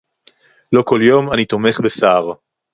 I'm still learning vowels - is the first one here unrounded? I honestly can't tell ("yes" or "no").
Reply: no